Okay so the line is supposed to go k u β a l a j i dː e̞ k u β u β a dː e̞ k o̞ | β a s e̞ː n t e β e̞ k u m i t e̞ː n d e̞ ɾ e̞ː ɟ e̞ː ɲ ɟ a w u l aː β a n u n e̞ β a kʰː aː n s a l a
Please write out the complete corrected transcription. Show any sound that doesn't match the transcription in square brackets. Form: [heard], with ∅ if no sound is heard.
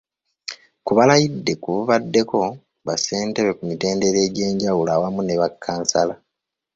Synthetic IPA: k u β a l a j i dː e̞ k u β u β a dː e̞ k o̞ | β a s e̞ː n t e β e̞ k u m i t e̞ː n d e̞ ɾ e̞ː ɟ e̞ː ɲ ɟ a w u l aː [w] a [m] u n e̞ β a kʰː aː n s a l a